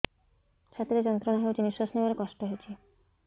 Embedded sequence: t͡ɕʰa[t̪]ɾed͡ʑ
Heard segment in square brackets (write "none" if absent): t̪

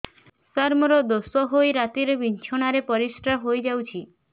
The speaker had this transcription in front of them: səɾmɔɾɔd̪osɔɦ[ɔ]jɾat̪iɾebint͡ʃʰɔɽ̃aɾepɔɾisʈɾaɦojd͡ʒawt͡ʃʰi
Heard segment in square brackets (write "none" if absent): o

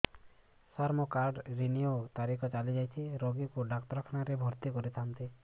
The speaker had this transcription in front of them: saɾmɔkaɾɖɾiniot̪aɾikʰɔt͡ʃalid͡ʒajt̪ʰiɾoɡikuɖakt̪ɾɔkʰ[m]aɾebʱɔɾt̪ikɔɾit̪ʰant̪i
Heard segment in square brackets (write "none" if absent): n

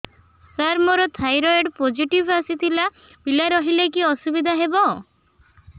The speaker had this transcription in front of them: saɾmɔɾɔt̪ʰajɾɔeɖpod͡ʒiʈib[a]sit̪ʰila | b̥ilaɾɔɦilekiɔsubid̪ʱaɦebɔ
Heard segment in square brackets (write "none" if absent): a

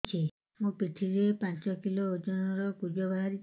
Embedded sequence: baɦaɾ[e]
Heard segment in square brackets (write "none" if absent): i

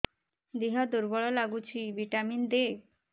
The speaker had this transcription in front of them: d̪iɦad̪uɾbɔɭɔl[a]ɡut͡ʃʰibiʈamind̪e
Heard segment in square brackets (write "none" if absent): a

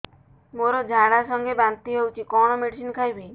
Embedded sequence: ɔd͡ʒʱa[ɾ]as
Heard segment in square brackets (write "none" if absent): ɽ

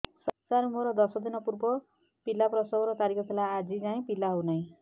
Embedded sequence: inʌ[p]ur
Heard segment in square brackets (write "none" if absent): p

